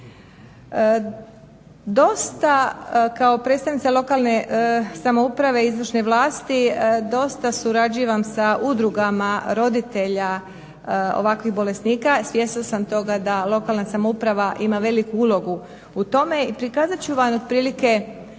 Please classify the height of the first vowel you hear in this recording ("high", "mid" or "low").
mid